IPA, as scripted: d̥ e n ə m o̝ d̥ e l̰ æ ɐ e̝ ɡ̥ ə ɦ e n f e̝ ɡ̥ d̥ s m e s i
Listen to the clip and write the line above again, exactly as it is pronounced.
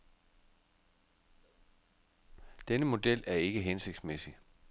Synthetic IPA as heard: d̥ e n ə m o̝ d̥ e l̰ æ ɐ e̝ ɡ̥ ə ɦ e n s e̝ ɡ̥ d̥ s m e s i